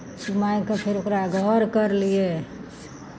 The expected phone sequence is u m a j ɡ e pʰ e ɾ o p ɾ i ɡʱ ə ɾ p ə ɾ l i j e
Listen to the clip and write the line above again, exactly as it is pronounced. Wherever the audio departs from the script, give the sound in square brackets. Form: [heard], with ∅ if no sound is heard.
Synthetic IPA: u m a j [k] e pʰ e ɾ o [k] ɾ [a] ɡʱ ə ɾ [k] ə ɾ l i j e

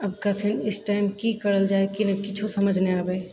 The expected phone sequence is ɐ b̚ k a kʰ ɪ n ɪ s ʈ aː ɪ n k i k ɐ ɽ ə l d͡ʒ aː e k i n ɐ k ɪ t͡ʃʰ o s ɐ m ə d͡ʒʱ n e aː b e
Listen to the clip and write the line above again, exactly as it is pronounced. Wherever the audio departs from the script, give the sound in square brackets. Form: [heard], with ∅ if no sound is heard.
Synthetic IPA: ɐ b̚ k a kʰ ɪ n ɪ s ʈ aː ɪ [m] k i k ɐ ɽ ə l d͡ʒ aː e k i n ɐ k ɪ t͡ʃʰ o s ɐ m ə d͡ʒʱ n e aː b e

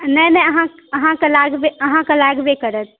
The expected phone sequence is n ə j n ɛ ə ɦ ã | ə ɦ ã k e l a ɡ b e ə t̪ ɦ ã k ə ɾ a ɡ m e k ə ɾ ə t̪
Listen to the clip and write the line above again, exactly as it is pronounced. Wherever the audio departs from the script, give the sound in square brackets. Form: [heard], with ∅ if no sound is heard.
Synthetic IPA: n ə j n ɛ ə ɦ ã | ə ɦ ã k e l a ɡ b e ə [∅] ɦ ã k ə [l] a ɡ [b] e k ə ɾ ə t̪

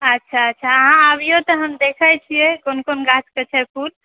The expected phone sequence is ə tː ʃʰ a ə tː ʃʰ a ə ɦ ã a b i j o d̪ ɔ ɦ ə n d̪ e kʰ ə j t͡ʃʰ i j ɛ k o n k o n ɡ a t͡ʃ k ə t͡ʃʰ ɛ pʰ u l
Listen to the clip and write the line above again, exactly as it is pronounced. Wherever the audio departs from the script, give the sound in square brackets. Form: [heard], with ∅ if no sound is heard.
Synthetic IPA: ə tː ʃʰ a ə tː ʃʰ a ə ɦ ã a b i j o [t̪] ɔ ɦ ə [m] d̪ e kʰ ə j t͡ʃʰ i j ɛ k o n k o n ɡ a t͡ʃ k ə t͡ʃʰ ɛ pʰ u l

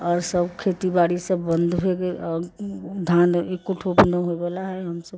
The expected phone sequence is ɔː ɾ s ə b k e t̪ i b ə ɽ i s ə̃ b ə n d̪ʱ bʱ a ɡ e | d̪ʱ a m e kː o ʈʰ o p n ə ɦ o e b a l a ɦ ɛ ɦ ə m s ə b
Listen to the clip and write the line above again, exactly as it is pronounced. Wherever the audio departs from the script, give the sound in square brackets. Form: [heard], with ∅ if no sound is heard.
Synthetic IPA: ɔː ɾ s ə b [kʰ] e t̪ i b [a] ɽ i s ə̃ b ə n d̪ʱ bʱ [e] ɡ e | d̪ʱ a [n] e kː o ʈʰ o p n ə ɦ o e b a l a ɦ ɛ ɦ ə m s ə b

